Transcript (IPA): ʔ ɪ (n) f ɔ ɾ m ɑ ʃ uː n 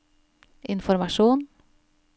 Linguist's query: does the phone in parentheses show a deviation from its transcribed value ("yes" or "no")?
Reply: no